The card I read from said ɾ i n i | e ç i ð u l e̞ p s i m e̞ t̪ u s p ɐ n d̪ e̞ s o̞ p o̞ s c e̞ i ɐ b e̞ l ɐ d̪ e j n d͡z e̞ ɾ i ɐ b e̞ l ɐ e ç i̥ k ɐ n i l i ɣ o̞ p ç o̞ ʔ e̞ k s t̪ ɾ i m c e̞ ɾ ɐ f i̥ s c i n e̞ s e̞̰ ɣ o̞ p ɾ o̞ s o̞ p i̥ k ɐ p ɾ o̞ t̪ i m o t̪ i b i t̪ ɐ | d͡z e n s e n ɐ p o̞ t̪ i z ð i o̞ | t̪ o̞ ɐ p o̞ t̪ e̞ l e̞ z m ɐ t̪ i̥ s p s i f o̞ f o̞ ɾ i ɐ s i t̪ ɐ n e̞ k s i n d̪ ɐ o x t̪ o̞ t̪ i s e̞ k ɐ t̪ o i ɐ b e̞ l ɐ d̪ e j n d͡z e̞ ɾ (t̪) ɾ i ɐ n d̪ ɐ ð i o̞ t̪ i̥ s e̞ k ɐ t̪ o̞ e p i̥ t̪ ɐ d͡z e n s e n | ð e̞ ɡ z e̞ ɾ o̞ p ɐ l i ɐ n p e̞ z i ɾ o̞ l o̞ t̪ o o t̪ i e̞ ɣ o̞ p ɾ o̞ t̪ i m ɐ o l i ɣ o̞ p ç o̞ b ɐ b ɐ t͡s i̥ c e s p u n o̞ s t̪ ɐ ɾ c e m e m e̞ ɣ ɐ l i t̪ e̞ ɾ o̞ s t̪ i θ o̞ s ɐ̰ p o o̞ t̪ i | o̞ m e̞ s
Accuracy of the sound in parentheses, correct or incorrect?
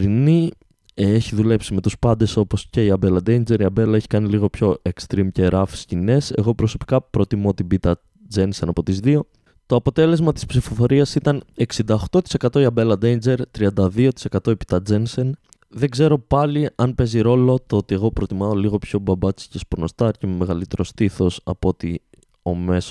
correct